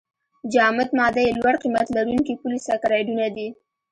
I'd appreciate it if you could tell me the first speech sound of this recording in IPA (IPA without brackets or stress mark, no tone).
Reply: d͡ʒ